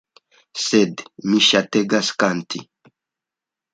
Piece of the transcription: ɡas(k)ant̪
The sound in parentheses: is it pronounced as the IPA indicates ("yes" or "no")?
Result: yes